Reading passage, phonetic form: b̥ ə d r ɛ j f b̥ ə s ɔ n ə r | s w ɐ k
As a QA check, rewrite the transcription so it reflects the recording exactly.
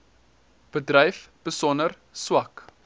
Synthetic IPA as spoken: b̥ ə d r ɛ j f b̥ ə s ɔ n ə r | s w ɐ k